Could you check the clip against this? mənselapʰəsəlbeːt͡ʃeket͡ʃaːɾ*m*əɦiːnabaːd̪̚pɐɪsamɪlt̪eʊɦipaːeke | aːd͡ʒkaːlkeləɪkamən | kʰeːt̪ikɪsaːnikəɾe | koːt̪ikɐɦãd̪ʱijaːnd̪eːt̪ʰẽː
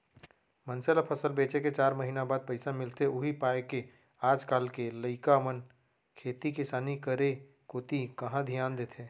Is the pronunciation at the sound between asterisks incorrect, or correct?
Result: correct